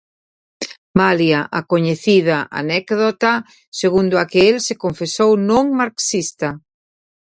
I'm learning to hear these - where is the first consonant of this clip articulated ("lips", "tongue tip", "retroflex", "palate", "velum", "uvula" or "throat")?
lips